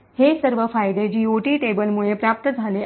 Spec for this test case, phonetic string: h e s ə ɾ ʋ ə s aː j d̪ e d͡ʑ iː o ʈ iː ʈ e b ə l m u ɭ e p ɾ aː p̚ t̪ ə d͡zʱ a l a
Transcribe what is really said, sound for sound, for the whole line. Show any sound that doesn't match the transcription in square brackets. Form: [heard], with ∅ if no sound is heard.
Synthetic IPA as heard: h e s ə ɾ ʋ ə [f] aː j d̪ e d͡ʑ iː o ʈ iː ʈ e b ə l m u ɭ e p ɾ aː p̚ t̪ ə d͡zʱ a l [e]

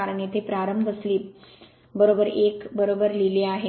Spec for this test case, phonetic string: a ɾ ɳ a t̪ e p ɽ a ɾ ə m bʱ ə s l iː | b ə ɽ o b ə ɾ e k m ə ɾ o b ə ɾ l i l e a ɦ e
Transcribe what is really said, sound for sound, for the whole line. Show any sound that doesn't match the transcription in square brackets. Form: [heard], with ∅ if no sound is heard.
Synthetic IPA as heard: a ɾ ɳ [e] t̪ e p [ɾ] a ɾ ə m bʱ ə s l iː | b ə [ɾ] o b ə ɾ e k [b] ə ɾ o b ə ɾ l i l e a ɦ e

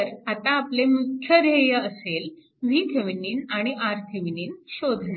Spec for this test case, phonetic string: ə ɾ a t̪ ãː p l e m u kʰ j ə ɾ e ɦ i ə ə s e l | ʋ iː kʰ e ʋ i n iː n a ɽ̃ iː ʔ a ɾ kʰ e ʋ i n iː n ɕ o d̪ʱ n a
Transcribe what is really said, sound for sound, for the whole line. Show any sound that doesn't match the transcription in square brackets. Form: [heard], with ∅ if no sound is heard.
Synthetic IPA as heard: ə ɾ a t̪ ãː p l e m u kʰ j ə ɾ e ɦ [j] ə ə s e l | ʋ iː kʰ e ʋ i n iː n a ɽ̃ [i] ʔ a ɾ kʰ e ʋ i n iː n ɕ o d̪ʱ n a

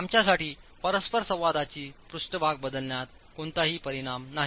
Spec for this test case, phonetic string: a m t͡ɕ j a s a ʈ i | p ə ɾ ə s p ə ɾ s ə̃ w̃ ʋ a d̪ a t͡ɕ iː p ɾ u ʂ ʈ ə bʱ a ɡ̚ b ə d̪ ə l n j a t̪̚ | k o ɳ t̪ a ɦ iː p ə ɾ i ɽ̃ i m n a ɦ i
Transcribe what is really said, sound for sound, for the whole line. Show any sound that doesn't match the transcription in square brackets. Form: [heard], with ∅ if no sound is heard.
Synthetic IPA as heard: a m t͡ɕ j a s a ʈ [iː] | p ə ɾ ə s p ə ɾ s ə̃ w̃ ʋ a d̪ a t͡ɕ iː p ɾ u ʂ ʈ ə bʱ a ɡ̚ b ə d̪ ə l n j a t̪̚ | k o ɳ t̪ a ɦ iː p ə ɾ i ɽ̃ [a] m n a ɦ i

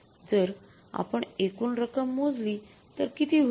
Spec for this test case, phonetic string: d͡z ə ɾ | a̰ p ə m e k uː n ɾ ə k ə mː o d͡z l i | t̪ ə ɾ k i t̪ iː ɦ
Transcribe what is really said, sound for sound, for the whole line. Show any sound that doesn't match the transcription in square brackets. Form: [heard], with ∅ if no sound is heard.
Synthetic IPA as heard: d͡z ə ɾ | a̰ p ə [ɳ] e k uː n ɾ ə k ə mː o d͡z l i | t̪ ə ɾ k i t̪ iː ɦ

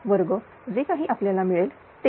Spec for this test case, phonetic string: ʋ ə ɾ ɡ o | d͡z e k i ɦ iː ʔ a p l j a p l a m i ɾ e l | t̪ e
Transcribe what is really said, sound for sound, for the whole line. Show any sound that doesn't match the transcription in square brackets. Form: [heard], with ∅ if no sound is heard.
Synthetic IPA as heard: ʋ ə ɾ ɡ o | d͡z e k [a] ɦ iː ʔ a p l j a [∅] l a m i [ɭ] e l | t̪ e

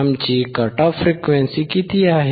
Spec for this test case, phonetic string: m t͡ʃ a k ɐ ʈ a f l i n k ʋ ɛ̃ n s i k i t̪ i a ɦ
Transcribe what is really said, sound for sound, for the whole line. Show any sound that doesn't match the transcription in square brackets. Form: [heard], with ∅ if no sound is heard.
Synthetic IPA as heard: m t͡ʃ [i] k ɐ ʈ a f [ɾ] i [∅] k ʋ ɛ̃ n s i k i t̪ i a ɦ

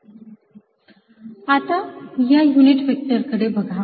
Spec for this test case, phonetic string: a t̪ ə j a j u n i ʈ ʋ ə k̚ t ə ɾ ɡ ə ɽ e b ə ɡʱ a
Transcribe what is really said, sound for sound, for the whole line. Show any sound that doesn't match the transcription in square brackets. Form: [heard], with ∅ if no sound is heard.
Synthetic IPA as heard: a t̪ [a] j a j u n i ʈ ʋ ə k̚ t ə ɾ [k] ə ɽ e b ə ɡʱ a

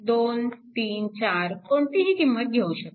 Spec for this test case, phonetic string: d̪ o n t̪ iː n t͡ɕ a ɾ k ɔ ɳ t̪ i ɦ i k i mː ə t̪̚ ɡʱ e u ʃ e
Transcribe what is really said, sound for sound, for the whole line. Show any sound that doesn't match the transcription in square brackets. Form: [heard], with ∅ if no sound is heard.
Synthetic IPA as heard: d̪ o n t̪ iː n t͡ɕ a ɾ k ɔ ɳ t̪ i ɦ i k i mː ə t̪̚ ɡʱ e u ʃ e

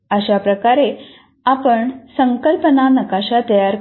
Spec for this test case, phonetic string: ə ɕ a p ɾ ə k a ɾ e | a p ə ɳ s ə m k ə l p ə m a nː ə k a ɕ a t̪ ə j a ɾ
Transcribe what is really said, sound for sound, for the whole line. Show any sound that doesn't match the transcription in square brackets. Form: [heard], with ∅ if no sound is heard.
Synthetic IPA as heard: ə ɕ a p ɾ ə k a ɾ e | a p ə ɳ s ə [ŋ] k ə l p ə [n] a [n] ə k a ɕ a t̪ ə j a ɾ

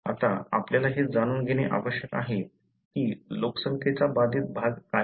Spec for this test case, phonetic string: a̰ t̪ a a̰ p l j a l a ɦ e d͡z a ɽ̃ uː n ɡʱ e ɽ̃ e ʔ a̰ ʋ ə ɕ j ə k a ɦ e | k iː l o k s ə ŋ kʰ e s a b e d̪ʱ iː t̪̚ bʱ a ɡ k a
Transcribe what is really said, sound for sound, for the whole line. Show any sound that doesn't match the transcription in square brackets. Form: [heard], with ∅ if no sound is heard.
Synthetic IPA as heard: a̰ t̪ a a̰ p l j a l a ɦ e d͡z a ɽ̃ uː n ɡʱ e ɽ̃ e ʔ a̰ ʋ ə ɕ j ə k a ɦ e | k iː l o k s ə ŋ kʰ e [t͡s] a b [a] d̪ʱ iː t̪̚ bʱ a ɡ k a

